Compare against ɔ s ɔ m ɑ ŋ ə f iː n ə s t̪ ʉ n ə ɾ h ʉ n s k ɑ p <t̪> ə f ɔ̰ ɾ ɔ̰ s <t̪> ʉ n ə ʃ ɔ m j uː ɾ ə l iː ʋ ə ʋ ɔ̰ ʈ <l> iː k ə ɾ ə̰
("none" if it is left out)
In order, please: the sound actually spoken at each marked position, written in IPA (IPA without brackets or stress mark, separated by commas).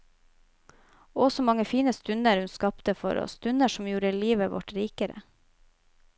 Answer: t̪, t̪, ɾ